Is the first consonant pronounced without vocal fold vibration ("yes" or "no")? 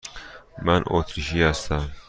no